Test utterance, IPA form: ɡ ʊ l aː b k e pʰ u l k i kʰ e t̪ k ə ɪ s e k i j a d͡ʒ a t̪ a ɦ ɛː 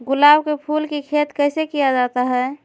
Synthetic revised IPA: ɡ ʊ l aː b k e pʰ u l k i kʰ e t̪ k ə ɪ s e k i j a d͡ʒ a t̪ a ɦ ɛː

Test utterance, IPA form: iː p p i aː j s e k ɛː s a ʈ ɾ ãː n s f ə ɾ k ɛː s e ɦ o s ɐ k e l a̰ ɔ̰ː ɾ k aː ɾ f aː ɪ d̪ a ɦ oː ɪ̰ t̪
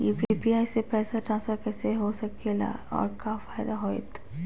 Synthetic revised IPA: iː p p i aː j s e p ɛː s a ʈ ɾ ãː n s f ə ɾ k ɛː s e ɦ o s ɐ k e l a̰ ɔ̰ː ɾ k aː f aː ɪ d̪ a ɦ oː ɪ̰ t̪

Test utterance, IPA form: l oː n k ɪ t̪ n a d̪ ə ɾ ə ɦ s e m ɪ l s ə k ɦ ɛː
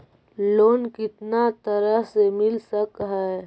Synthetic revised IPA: l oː n k ɪ t̪ n a t̪ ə ɾ ə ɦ s e m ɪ l s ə k ɦ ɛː

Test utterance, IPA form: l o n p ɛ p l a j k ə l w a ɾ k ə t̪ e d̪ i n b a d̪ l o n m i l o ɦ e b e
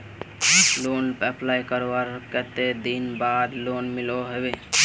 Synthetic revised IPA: l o n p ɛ p l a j k ə ɾ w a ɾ k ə t̪ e d̪ i n b a d̪ l o n m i l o ɦ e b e

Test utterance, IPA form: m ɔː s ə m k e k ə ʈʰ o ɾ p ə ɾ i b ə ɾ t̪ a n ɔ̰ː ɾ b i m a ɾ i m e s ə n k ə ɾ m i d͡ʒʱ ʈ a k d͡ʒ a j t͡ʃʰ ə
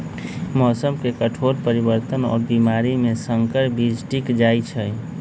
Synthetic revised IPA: m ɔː s ə m k e k ə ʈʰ o ɾ p ə ɾ i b ə ɾ t̪ ə n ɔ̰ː ɾ b i m a ɾ i m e s ə ŋ k ə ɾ b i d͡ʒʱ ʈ i k d͡ʒ a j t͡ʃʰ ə

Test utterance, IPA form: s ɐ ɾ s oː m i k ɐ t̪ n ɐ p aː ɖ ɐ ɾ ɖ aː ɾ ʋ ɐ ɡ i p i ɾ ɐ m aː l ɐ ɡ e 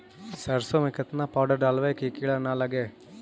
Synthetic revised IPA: s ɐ ɾ s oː m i k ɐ t̪ n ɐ p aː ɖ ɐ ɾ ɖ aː l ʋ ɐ k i k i ɭ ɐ n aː l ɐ ɡ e

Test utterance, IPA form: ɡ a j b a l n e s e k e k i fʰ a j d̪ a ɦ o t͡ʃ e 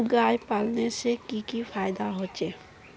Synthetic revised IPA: ɡ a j p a l n e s e k i k i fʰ a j d̪ a ɦ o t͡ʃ e

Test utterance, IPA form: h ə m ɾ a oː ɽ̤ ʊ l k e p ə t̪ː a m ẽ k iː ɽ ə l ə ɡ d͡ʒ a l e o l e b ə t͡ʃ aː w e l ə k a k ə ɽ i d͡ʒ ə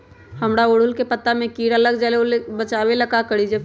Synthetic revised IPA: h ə m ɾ a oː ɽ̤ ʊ l k e p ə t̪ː a m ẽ k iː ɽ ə l ə ɡ d͡ʒ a l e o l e b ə t͡ʃ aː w e l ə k a k ə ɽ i d͡ʒ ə

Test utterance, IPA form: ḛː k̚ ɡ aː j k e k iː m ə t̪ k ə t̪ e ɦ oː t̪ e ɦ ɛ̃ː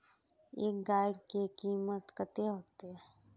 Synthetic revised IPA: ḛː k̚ ɡ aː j k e k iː m ə t̪ k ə t̪ e ɦ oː t̪ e ɦ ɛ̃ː

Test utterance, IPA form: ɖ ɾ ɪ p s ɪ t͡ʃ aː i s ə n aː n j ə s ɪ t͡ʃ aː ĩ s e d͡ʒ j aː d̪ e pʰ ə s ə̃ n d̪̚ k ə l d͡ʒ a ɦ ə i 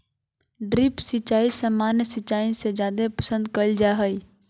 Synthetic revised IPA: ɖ ɾ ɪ p s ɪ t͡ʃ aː i s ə m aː n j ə s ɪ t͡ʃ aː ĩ s e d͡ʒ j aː d̪ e p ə s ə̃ n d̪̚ k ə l d͡ʒ a ɦ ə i

